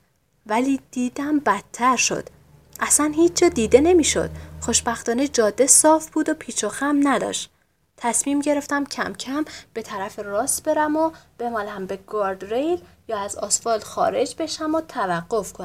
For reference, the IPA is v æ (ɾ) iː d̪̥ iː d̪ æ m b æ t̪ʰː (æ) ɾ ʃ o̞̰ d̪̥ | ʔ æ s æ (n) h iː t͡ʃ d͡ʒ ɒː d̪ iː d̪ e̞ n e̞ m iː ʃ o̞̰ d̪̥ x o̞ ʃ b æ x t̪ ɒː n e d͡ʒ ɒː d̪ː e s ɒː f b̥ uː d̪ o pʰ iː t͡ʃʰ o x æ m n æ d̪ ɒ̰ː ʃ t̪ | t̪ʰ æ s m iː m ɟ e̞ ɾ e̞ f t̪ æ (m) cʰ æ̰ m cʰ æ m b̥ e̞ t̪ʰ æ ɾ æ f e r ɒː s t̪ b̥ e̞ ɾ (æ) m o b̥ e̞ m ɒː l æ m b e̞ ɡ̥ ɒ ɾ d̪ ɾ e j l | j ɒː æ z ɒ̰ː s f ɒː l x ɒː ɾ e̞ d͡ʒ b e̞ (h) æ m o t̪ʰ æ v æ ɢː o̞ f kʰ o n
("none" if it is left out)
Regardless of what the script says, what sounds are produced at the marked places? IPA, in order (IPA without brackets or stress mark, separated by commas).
l, æ, n, m, æ, ʃ